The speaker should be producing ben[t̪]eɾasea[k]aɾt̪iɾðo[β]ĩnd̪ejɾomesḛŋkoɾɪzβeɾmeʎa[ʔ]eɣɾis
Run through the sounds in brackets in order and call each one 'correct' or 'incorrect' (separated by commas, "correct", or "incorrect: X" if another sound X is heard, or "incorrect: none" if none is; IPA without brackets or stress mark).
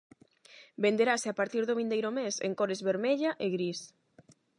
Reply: incorrect: d̪, incorrect: p, correct, correct